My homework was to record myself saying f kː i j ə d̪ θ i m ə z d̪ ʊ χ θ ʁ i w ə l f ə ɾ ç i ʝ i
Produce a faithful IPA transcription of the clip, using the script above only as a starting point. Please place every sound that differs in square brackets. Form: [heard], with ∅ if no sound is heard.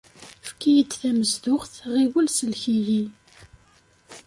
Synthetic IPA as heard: f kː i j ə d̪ θ [æ] m ə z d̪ ʊ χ θ ʁ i w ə l [s] ə [l] ç i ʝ i

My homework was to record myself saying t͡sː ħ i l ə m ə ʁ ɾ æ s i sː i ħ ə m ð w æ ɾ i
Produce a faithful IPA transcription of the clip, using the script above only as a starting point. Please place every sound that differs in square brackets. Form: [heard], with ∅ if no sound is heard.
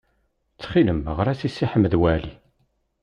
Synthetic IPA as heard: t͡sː [χ] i l ə m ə ʁ ɾ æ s i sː i ħ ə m ð w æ [l] i

